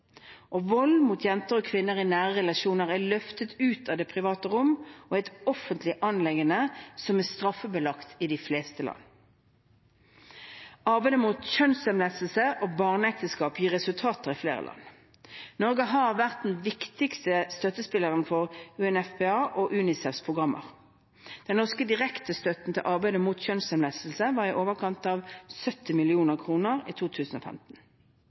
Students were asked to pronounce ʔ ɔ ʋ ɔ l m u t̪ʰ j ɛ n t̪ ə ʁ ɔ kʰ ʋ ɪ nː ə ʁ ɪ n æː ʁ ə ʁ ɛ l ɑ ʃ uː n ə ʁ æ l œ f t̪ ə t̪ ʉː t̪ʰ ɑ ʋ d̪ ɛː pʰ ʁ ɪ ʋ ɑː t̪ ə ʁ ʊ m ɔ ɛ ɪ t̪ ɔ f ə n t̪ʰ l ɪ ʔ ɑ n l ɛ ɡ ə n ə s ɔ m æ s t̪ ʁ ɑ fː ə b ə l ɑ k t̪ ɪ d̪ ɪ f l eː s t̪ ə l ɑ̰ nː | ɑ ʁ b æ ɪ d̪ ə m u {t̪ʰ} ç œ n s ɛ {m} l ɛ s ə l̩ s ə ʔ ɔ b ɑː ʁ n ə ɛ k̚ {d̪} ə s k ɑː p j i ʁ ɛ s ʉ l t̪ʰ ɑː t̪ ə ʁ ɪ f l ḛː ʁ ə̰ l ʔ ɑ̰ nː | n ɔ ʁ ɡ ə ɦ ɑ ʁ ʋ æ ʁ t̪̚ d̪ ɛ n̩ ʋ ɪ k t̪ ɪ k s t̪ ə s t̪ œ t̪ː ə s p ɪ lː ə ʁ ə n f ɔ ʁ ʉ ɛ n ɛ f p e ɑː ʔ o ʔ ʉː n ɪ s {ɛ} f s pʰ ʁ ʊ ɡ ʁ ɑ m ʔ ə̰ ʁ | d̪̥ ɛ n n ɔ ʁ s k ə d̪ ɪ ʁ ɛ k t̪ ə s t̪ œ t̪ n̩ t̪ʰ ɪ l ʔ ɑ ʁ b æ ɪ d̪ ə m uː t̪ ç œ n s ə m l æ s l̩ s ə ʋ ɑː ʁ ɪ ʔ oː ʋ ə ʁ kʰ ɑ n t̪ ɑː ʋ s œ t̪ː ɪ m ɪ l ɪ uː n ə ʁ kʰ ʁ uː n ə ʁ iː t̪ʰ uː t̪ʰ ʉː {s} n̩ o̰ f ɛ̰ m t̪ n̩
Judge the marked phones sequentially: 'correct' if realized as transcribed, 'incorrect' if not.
incorrect: t̪, correct, incorrect: t̪, correct, correct

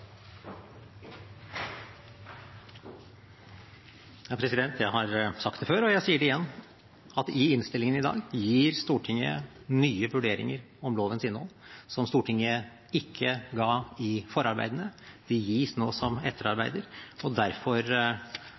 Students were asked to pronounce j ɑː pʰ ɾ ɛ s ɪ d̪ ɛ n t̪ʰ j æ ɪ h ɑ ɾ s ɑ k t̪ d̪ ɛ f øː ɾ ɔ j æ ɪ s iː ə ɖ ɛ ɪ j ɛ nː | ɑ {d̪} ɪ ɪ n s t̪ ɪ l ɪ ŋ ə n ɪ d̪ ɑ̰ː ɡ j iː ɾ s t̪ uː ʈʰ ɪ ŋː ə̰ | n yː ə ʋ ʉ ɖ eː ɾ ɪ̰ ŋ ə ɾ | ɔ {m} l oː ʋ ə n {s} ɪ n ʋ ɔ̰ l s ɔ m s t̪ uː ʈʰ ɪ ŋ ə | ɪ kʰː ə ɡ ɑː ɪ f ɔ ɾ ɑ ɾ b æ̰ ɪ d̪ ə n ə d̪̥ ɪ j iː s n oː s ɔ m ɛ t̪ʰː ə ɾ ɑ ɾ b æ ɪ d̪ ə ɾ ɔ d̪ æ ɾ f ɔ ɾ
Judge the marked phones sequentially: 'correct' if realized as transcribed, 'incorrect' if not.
incorrect: t̪, correct, correct

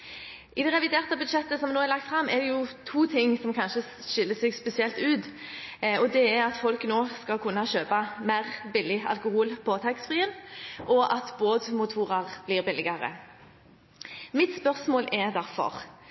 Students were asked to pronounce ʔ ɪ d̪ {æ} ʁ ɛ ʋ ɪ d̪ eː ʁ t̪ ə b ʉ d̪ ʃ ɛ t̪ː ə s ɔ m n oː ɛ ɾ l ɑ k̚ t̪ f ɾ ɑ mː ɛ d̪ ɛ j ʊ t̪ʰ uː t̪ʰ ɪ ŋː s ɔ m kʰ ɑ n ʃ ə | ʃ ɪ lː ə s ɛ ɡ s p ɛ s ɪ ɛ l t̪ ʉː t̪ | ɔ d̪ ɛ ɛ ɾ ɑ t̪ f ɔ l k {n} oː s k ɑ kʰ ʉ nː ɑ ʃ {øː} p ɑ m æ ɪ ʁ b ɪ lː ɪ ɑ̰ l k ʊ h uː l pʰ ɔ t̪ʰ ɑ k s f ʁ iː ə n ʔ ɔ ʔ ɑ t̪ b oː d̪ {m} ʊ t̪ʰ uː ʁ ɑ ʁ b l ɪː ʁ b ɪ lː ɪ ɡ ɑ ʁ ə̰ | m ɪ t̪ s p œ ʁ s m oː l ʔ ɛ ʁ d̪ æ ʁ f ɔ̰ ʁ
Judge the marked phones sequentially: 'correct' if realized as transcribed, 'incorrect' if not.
incorrect: ɛ, correct, correct, correct

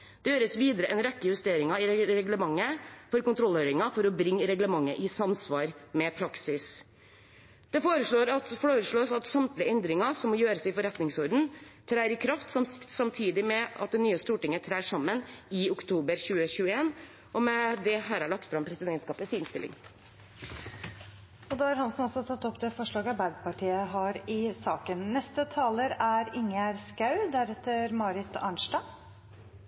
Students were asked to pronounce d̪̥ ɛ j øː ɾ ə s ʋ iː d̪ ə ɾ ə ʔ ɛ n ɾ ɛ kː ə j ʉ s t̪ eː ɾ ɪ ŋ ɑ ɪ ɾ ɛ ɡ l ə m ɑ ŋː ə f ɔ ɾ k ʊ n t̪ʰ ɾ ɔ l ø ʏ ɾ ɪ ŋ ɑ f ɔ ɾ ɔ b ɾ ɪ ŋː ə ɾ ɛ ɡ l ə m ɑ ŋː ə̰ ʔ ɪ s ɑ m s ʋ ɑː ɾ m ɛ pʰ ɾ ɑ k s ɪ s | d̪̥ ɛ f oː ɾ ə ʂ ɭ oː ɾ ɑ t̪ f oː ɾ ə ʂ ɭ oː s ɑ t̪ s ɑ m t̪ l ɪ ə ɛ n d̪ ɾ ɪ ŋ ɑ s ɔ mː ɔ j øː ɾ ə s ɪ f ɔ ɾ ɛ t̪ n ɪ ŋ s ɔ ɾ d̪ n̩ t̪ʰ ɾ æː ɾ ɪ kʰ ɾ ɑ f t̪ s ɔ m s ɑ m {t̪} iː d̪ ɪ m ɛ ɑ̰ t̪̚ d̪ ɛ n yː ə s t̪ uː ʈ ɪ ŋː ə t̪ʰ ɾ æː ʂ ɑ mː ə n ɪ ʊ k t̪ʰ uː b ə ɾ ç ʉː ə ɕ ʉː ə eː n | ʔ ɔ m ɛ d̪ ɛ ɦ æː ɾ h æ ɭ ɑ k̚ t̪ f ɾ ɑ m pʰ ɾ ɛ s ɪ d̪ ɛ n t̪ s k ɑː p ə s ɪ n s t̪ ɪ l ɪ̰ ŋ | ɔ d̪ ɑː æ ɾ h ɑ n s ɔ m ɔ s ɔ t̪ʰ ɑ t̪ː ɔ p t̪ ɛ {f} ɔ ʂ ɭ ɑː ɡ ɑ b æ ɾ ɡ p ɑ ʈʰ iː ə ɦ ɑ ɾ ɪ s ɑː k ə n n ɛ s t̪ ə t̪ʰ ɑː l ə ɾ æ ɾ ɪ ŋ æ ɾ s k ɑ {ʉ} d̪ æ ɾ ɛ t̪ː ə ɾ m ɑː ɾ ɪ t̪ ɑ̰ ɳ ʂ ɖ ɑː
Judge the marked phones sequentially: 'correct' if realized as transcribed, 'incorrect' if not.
incorrect: t̪ʰ, correct, correct

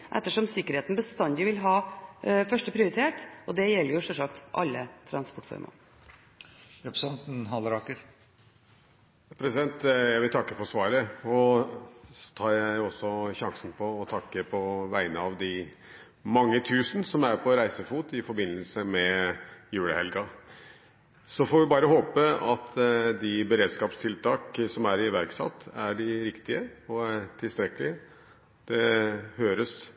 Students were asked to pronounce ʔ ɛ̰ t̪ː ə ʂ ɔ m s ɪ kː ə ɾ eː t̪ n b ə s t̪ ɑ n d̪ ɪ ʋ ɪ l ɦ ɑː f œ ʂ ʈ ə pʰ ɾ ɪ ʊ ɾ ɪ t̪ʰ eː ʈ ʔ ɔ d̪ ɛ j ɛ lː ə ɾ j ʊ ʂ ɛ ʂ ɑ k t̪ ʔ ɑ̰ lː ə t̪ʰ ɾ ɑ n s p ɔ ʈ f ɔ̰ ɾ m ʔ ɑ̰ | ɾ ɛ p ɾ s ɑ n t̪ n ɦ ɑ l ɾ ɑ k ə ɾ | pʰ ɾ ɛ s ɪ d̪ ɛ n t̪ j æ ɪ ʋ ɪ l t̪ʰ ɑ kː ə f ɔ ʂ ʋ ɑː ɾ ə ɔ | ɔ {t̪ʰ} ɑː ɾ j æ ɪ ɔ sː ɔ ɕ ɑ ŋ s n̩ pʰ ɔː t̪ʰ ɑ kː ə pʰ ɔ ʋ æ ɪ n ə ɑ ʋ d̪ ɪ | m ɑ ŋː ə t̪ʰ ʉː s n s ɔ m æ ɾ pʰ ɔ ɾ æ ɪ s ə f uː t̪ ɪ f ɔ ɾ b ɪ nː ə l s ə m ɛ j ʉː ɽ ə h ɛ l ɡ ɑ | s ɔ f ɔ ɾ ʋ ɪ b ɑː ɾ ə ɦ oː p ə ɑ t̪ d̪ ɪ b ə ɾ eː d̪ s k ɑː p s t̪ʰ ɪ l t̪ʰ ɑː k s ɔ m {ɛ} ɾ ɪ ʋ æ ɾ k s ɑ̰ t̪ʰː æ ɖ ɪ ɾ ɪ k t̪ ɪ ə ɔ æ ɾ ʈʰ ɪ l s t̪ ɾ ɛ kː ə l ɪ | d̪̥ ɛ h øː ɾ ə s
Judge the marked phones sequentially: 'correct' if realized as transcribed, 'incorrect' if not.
correct, incorrect: æ

